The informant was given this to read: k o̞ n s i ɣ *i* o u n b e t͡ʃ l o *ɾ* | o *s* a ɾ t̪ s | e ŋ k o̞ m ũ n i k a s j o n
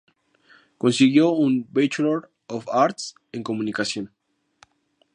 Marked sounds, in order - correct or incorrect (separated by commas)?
incorrect, correct, incorrect